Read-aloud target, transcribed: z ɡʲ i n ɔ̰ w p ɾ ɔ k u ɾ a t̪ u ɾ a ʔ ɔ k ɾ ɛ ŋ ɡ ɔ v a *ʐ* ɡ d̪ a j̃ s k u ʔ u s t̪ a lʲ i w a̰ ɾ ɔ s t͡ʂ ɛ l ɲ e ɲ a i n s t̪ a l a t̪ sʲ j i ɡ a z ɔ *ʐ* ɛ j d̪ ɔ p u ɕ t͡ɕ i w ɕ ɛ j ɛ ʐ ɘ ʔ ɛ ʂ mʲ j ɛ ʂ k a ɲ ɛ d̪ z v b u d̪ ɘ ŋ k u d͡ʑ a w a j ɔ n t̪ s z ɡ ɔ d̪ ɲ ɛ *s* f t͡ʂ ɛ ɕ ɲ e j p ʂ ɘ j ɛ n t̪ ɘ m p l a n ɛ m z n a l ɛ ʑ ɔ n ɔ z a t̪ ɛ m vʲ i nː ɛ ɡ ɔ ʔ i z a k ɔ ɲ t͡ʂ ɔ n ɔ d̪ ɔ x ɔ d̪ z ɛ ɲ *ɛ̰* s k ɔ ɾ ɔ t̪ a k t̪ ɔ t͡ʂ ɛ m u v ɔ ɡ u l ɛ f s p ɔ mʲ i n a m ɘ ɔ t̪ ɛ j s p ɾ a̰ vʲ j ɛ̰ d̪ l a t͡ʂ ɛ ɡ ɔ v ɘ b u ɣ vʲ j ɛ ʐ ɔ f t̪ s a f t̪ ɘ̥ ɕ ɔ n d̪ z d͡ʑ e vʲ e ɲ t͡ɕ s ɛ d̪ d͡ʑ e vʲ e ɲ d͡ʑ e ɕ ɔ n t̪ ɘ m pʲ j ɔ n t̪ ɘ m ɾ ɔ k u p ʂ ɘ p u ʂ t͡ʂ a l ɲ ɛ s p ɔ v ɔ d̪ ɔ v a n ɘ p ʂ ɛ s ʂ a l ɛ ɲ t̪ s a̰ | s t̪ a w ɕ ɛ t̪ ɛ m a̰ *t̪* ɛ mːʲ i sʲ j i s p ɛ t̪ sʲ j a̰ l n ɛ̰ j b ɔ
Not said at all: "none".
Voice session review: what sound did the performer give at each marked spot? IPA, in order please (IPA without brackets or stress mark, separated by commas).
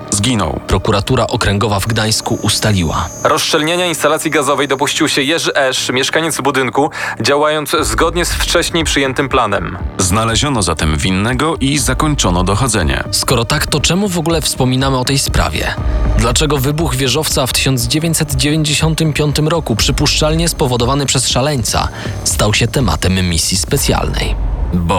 v, v, s, ɛ̰, t̪